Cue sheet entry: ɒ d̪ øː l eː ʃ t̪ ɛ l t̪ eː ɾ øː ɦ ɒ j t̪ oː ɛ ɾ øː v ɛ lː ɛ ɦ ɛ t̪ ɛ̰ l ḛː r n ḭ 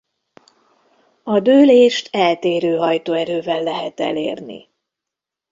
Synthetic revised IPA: ɒ d̪ øː l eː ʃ t̪ ɛ l t̪ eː ɾ øː ɦ ɒ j t̪ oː ɛ ɾ øː v ɛ lː ɛ ɦ ɛ t̪ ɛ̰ l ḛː r n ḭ